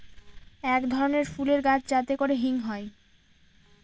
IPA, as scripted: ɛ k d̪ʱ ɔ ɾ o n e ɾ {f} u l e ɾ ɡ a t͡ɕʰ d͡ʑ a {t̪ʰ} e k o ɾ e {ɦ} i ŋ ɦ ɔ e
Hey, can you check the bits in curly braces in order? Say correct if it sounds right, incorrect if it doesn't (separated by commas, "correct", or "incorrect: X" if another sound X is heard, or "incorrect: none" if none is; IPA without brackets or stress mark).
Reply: correct, incorrect: t̪, correct